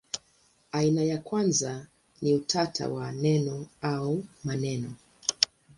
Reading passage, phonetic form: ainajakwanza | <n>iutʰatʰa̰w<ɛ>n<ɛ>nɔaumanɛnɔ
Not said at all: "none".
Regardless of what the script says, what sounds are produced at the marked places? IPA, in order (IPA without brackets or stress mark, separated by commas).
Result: n, a, ɛ